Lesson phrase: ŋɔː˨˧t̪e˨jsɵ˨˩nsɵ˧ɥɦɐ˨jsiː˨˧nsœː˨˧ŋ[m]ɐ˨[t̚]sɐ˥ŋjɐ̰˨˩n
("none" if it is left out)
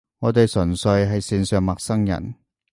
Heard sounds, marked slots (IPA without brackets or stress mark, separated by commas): m, k̚